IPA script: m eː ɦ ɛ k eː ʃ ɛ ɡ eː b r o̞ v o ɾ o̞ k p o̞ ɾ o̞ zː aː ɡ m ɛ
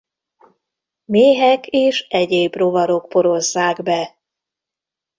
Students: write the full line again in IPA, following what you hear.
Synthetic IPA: m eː ɦ ɛ k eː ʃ ɛ ɟ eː b r o̞ v ɒ ɾ o̞ k p o̞ ɾ o̞ zː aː ɡ b ɛ